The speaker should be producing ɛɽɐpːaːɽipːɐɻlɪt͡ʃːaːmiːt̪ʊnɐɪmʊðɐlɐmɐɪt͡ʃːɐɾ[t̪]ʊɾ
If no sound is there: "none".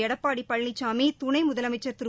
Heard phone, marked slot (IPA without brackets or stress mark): t̪